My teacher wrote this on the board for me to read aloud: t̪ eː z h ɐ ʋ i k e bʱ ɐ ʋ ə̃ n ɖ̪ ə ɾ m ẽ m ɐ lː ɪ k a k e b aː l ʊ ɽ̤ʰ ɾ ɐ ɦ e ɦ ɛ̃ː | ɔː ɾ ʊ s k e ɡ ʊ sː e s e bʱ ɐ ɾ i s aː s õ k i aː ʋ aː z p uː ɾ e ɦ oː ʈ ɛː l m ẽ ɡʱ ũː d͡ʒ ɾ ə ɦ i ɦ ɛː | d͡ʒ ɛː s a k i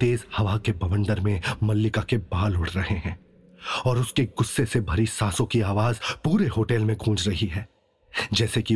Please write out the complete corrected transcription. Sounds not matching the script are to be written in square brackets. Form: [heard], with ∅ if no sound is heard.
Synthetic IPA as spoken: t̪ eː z h ɐ ʋ [a] k e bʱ ɐ ʋ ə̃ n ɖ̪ ə ɾ m ẽ m ɐ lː ɪ k a k e b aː l ʊ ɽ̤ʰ ɾ ɐ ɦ e ɦ ɛ̃ː | ɔː ɾ ʊ s k e ɡ ʊ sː e s e bʱ ɐ ɾ i s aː s õ k i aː ʋ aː z p uː ɾ e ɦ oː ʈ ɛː l m ẽ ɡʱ ũː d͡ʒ ɾ [ɐ] ɦ i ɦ ɛː | d͡ʒ ɛː s [e] k i